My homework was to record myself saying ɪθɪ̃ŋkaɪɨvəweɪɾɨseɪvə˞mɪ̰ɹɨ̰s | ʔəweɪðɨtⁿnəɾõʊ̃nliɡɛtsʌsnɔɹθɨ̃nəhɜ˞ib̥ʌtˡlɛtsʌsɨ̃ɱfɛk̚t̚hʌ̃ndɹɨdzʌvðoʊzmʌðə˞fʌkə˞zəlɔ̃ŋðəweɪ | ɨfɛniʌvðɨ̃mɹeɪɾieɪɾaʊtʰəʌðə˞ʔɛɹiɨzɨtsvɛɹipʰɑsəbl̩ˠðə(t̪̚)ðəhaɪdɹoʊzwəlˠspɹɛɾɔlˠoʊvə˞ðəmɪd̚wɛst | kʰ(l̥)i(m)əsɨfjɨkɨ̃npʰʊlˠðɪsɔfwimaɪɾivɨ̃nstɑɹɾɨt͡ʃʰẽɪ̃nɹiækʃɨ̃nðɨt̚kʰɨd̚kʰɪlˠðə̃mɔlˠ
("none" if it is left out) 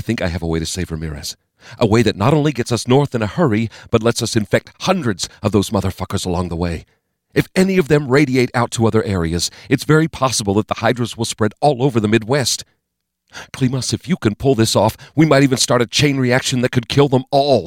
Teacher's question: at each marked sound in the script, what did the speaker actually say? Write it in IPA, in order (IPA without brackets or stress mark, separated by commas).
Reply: t̪̚, l̥, m